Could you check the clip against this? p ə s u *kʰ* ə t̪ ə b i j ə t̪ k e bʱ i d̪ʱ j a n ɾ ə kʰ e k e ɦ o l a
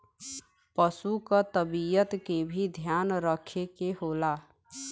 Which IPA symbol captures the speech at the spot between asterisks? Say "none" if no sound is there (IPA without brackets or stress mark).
k